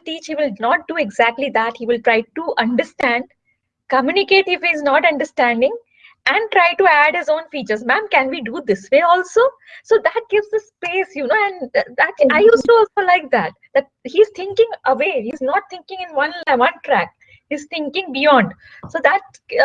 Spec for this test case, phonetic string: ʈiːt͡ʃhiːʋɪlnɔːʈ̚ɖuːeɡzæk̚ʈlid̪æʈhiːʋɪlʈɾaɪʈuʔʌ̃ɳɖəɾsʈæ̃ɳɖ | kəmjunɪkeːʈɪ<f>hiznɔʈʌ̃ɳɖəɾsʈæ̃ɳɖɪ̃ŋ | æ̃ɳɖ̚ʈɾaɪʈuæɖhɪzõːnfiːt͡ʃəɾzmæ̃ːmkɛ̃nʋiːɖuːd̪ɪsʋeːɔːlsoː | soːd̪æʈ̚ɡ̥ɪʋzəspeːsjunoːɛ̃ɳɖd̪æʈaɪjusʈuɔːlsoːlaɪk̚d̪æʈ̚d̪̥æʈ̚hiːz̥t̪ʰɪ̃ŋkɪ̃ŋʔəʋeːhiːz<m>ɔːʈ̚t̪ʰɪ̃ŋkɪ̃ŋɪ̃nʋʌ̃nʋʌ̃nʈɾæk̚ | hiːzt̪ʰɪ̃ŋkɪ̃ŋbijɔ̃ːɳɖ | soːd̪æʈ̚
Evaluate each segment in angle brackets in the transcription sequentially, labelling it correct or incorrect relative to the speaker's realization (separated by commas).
correct, incorrect